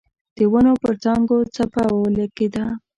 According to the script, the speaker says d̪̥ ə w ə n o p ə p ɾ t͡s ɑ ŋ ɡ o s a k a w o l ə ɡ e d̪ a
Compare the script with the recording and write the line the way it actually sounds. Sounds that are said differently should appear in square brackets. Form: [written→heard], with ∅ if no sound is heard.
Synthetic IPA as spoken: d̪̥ ə w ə n o p ə [p→∅] ɾ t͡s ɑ ŋ ɡ o [s→t͡s] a [k→p] a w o l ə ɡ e d̪ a